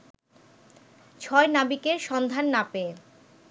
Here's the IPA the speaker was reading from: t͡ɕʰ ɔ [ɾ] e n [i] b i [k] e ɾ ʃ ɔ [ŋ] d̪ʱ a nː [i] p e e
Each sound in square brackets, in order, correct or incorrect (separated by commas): incorrect, incorrect, correct, incorrect, incorrect